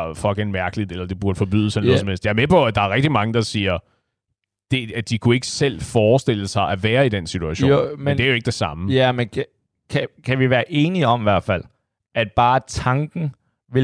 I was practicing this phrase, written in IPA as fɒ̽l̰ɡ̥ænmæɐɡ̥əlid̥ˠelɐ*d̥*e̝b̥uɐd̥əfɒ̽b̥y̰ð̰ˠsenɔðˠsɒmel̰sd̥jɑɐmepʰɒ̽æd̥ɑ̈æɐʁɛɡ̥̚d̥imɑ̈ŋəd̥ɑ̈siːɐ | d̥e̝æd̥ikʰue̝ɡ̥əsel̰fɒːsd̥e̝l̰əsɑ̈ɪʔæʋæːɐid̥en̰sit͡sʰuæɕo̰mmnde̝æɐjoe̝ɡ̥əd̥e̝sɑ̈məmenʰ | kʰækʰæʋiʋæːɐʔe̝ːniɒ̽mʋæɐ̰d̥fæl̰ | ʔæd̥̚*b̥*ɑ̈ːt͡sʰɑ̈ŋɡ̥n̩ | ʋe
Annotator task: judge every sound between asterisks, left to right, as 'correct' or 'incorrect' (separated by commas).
correct, correct